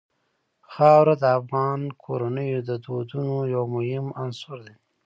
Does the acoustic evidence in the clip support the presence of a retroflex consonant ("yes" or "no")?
no